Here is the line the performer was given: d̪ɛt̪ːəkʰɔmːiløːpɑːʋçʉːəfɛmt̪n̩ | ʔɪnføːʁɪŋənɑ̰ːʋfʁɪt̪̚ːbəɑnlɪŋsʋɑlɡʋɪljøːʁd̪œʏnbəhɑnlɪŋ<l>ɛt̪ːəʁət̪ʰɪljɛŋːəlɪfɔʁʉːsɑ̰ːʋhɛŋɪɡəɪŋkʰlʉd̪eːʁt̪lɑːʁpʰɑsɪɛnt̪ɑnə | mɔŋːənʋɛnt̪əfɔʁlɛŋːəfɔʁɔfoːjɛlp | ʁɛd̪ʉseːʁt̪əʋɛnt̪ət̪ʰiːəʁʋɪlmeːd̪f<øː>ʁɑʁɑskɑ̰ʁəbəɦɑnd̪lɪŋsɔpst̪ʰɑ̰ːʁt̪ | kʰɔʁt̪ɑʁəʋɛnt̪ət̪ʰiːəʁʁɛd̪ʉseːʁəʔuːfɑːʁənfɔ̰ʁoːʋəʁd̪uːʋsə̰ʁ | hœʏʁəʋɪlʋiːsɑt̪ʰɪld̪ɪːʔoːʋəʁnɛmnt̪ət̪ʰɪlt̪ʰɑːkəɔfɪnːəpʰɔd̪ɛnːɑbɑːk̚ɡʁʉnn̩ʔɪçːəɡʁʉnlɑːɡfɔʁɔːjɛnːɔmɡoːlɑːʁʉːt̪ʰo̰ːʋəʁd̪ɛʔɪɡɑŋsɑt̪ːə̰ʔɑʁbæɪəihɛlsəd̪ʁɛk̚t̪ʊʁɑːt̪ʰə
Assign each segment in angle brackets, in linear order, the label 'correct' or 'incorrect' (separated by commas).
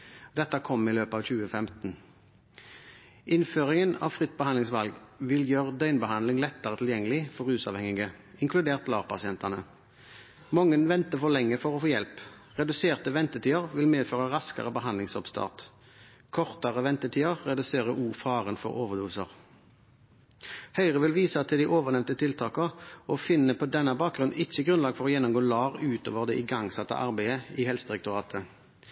correct, correct